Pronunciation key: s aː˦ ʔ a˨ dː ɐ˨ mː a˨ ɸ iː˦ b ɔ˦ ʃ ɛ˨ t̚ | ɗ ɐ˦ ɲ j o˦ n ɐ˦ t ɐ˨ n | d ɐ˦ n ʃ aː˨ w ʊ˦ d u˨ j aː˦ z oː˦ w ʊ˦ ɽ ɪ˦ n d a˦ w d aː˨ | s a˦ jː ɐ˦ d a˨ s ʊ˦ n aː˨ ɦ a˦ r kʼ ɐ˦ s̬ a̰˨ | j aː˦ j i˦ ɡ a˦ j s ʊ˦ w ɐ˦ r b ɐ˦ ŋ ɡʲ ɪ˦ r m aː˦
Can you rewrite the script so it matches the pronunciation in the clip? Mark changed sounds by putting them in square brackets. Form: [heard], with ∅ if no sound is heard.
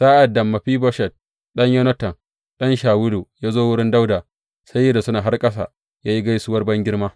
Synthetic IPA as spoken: s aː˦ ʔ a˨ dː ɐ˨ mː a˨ ɸ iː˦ b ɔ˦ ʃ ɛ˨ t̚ | ɗ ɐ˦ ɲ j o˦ n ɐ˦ t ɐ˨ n | [ɗ] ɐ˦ n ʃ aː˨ w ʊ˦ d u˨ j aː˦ z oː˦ w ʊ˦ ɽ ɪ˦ n d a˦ w d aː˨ | s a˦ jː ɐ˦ d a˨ s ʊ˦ n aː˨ ɦ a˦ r kʼ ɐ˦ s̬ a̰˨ | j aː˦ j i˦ ɡ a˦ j s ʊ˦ w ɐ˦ r b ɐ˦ ŋ ɡʲ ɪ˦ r m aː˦